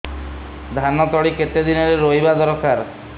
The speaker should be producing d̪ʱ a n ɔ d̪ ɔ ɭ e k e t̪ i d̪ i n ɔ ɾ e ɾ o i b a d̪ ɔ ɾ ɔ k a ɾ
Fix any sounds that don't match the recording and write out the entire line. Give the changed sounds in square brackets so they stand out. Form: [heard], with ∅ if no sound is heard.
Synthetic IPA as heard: d̪ʱ a n ɔ [t̪] ɔ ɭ [i] k e t̪ [e] d̪ i n ɔ ɾ e ɾ o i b a d̪ ɔ ɾ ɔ k a ɾ

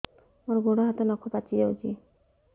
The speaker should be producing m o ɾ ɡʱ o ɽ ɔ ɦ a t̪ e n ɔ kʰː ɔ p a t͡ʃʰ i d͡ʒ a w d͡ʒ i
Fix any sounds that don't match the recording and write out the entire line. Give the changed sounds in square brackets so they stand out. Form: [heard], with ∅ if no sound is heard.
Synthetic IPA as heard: m o ɾ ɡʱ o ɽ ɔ ɦ a t̪ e n ɔ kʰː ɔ p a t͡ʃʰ i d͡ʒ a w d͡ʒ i

